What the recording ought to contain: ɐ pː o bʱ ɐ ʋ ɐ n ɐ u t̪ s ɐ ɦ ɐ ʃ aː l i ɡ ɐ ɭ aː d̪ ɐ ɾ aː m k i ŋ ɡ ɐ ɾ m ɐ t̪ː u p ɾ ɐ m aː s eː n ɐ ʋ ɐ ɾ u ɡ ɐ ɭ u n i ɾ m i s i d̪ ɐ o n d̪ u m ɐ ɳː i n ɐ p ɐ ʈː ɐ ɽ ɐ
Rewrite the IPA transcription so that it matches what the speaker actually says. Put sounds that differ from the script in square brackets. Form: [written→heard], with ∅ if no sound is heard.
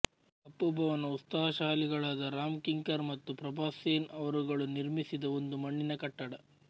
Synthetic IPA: ɐ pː [o→u] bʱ ɐ ʋ ɐ n ɐ u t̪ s ɐ ɦ ɐ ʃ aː l i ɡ ɐ ɭ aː d̪ ɐ ɾ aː m k i ŋ [ɡ→k] ɐ ɾ m ɐ t̪ː u p ɾ ɐ [m→b] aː s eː n ɐ ʋ ɐ ɾ u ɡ ɐ ɭ u n i ɾ m i s i d̪ ɐ o n d̪ u m ɐ ɳː i n ɐ [p→k] ɐ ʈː ɐ ɽ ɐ

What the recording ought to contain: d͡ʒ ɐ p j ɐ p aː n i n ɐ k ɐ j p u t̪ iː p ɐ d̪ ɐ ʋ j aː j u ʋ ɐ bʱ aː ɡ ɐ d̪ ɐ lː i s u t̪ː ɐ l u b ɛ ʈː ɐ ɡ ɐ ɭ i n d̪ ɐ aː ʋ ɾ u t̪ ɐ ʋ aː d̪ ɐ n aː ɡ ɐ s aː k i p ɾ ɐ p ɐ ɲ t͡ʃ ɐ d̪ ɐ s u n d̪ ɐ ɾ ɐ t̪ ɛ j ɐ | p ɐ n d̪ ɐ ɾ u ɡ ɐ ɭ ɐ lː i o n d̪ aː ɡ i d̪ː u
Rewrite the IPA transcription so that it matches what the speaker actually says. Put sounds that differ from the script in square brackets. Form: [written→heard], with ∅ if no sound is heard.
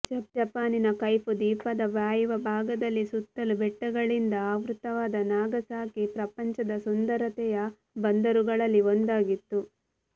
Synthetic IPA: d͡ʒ ɐ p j ɐ p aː n i n ɐ k ɐ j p u [t̪→d̪] iː p ɐ d̪ ɐ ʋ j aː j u ʋ ɐ bʱ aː ɡ ɐ d̪ ɐ lː i s u t̪ː ɐ l u b ɛ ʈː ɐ ɡ ɐ ɭ i n d̪ ɐ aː ʋ ɾ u t̪ ɐ ʋ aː d̪ ɐ n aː ɡ ɐ s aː k i p ɾ ɐ p ɐ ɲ t͡ʃ ɐ d̪ ɐ s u n d̪ ɐ ɾ ɐ t̪ ɛ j ɐ | [p→b] ɐ n d̪ ɐ ɾ u ɡ ɐ ɭ ɐ lː i o n d̪ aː ɡ i [d̪ː→t̪ː] u

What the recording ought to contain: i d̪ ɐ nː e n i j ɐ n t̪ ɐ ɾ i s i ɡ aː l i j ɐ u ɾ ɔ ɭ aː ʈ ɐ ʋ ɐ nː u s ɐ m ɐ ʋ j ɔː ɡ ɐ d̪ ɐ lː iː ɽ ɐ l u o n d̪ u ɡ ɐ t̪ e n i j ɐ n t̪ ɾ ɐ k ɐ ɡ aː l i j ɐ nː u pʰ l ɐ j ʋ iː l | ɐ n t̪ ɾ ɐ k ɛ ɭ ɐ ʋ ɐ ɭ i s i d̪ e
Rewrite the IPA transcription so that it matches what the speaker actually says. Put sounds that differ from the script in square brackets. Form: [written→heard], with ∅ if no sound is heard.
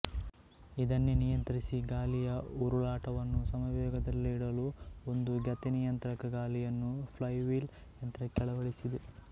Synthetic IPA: i d̪ ɐ nː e n i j ɐ n t̪ ɐ ɾ i s i ɡ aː l i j ɐ u ɾ [ɔ→u] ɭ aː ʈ ɐ ʋ ɐ nː u s ɐ m ɐ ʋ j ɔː ɡ ɐ d̪ ɐ lː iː ɽ ɐ l u o n d̪ u ɡ ɐ t̪ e n i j ɐ n t̪ ɾ ɐ k ɐ ɡ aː l i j ɐ nː u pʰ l ɐ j ʋ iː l | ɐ n t̪ ɾ ɐ k ɛ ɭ ɐ ʋ ɐ ɭ i s i d̪ e

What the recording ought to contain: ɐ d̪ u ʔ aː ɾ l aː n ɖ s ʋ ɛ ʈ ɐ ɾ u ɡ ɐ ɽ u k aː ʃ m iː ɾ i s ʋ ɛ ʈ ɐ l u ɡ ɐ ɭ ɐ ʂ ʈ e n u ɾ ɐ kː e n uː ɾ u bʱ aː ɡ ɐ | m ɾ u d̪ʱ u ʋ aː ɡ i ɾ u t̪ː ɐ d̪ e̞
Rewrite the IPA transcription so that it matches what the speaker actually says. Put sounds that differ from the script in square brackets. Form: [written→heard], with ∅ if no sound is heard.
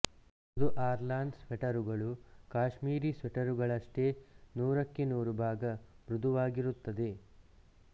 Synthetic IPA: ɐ d̪ u ʔ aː ɾ l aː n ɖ s ʋ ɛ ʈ ɐ ɾ u ɡ ɐ [ɽ→ɭ] u k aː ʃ m iː ɾ i s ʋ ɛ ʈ ɐ [l→ɾ] u ɡ ɐ ɭ ɐ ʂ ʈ e n [u→uː] ɾ ɐ kː e n uː ɾ u bʱ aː ɡ ɐ | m ɾ u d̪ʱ u ʋ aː ɡ i ɾ u t̪ː ɐ d̪ e̞

